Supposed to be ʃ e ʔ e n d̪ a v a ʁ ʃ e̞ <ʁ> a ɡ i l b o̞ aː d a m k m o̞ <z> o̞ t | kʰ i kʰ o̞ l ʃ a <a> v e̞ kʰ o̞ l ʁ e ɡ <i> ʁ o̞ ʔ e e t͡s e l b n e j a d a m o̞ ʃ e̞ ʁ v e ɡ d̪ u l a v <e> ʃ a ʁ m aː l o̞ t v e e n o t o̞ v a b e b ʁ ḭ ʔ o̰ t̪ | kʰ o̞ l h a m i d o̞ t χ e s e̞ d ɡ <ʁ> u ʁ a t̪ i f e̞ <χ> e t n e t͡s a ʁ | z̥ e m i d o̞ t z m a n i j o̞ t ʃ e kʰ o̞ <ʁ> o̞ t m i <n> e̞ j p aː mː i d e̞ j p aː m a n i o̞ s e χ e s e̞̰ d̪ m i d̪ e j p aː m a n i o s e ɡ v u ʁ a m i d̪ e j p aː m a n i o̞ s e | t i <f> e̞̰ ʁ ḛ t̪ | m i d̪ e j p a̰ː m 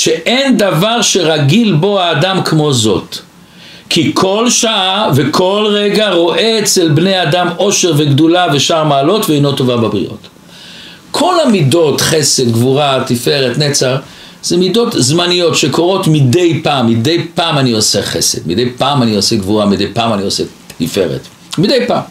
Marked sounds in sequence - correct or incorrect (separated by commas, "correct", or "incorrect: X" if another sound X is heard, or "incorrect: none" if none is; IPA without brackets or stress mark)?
correct, correct, correct, incorrect: a, correct, incorrect: v, incorrect: ʁ, correct, incorrect: d, correct